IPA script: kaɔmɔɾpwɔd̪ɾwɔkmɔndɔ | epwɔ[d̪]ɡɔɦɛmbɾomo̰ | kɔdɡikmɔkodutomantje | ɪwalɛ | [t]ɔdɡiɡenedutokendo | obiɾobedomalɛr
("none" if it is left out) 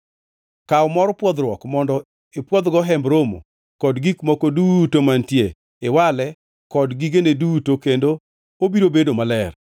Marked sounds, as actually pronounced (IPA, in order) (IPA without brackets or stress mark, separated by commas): d̪, k